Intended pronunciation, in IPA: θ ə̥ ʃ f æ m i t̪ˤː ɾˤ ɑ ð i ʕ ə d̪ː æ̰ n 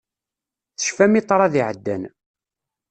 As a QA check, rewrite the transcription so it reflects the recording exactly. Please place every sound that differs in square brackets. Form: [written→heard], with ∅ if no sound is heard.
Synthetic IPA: θ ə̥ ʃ f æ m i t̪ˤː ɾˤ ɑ ð i ʕ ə d̪ː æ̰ n